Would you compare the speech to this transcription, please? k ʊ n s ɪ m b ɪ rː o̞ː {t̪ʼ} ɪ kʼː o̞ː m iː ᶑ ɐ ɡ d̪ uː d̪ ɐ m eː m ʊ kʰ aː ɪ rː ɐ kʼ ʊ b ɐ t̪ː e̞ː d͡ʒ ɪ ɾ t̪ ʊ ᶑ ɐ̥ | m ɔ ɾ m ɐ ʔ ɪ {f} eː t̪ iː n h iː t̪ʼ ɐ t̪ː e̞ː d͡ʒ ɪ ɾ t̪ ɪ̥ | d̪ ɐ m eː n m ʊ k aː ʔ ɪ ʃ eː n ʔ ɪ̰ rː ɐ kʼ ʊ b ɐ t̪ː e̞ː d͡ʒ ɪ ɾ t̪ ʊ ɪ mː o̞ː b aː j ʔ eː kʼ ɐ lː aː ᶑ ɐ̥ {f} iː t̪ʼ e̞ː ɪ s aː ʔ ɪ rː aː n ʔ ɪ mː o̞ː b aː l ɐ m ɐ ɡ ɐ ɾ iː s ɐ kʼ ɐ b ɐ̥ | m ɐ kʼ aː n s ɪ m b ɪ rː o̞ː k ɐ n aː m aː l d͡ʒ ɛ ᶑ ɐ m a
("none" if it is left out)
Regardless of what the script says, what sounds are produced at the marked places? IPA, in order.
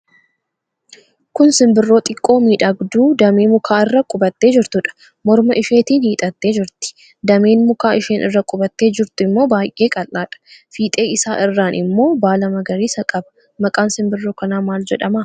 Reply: t̪ʼ, ʃ, f

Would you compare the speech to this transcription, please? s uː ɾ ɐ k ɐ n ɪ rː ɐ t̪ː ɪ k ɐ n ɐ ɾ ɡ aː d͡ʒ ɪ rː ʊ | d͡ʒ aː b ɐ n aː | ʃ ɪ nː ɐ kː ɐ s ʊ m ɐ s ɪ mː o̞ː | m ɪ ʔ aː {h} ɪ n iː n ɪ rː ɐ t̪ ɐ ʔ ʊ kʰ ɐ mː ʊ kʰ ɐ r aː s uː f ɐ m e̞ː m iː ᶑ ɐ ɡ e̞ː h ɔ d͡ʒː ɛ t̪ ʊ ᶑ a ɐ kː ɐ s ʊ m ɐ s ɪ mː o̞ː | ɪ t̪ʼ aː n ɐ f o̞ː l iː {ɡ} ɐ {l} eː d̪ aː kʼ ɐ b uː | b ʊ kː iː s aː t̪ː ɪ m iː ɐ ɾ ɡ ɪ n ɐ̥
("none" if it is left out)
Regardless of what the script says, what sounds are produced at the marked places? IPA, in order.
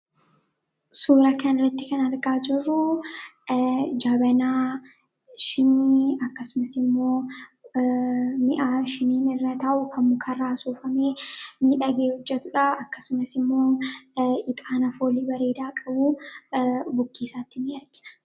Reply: ʃ, b, ɾ

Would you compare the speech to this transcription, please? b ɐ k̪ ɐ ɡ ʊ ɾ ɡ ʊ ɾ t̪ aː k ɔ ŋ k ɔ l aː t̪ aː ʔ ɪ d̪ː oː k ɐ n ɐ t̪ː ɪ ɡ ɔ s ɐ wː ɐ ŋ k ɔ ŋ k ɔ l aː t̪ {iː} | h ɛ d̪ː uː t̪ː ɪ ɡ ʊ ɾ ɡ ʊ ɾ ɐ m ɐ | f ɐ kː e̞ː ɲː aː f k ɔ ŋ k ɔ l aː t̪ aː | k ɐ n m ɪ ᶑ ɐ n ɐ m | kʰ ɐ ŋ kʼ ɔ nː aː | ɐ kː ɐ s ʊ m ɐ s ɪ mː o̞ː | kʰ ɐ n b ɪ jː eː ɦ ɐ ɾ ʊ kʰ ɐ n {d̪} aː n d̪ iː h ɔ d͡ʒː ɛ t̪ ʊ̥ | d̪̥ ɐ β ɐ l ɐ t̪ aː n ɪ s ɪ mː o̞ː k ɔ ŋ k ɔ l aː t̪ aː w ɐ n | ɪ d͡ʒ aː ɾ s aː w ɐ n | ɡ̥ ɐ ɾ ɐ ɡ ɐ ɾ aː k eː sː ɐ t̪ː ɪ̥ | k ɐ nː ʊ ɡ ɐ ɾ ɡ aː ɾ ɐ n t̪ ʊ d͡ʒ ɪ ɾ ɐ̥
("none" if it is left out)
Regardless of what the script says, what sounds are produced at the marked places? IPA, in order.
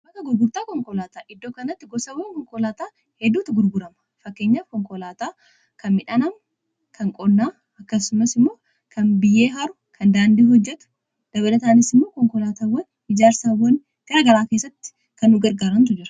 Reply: aː, d̪

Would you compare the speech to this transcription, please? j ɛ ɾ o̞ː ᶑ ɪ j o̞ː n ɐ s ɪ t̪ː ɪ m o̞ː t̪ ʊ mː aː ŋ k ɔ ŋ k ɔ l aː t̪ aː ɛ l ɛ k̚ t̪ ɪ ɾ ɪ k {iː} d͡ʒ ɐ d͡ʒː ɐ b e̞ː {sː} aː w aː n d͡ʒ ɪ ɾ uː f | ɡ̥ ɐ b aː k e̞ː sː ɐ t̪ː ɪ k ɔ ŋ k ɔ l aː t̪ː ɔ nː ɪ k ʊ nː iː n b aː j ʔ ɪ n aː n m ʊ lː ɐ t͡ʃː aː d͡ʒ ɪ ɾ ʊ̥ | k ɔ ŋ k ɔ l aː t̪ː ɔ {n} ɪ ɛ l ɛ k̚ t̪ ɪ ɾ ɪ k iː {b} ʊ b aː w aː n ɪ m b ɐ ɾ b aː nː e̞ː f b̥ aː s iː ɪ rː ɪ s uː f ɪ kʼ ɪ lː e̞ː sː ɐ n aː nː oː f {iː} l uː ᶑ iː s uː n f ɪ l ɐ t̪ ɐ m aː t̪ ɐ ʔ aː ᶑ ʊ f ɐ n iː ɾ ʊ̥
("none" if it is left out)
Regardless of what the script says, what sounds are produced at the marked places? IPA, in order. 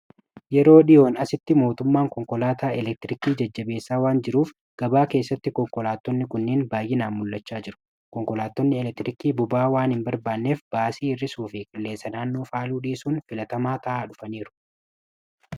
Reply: iː, sː, nː, b, aː

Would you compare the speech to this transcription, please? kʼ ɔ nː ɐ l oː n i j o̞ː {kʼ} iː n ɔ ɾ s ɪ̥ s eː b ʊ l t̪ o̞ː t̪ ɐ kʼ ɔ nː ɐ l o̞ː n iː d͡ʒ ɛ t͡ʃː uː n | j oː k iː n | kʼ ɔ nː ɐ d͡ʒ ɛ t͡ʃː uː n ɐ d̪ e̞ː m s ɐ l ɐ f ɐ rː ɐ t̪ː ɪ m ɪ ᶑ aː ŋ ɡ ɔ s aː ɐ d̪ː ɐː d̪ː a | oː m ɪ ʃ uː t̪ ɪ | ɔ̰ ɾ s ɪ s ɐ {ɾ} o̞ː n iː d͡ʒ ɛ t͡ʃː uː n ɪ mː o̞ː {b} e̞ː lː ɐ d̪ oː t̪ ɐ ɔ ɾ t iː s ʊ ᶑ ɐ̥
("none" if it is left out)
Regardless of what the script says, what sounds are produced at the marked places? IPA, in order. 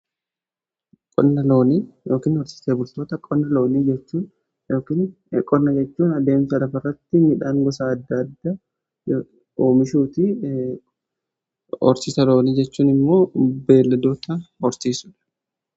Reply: k, l, b

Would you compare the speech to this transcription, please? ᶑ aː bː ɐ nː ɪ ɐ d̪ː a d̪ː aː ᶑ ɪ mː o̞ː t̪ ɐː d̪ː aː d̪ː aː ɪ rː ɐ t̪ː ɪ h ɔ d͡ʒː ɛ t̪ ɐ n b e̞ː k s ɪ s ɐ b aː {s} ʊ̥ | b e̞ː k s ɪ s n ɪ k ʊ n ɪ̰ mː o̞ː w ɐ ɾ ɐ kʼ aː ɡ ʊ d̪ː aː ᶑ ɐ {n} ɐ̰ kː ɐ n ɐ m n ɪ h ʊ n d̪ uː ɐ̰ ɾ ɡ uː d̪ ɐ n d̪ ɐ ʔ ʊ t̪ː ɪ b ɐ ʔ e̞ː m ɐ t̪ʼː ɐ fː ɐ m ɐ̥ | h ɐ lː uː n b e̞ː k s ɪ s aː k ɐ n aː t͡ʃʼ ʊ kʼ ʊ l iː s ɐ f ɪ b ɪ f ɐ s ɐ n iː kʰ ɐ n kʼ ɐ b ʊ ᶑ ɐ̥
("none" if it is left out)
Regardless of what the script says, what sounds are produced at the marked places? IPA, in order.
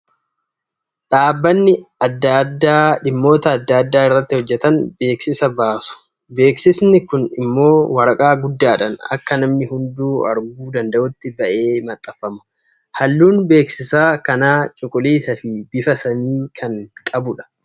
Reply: s, n

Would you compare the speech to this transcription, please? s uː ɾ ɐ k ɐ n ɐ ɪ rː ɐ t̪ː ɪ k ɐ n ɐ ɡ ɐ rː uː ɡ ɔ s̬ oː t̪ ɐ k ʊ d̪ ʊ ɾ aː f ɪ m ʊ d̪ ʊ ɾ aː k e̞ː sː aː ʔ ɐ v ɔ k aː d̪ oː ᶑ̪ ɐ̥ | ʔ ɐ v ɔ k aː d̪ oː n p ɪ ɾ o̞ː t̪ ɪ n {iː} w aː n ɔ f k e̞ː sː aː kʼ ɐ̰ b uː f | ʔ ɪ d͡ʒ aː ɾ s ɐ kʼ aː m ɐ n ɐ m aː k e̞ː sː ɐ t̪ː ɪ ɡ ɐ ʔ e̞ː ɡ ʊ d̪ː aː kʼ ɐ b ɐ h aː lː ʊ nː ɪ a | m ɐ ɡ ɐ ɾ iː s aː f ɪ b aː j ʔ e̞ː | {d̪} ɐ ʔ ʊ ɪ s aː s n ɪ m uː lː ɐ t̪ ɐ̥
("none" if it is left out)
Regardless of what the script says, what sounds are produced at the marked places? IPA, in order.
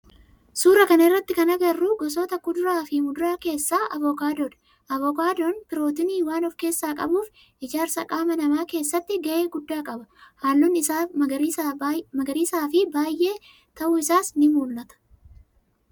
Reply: iː, t̪

